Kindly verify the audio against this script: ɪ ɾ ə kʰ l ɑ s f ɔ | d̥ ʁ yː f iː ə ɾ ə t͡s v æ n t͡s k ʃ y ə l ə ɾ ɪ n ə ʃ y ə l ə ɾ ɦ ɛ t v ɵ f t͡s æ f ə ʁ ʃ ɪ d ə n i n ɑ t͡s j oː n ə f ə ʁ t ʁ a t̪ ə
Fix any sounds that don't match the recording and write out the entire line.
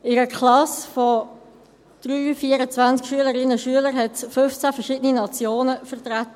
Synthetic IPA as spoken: ɪ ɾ ə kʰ l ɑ s f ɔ | d̥ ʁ yː f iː ə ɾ ə t͡s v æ n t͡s k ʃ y ə l ə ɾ ɪ n ə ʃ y ə l ə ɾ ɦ ɛ t f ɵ f t͡s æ f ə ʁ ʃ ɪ d ə n i n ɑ t͡s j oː n ə f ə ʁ t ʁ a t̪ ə